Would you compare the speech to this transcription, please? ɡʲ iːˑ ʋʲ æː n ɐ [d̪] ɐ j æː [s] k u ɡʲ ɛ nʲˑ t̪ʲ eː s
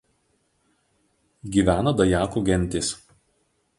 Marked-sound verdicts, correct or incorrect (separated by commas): correct, incorrect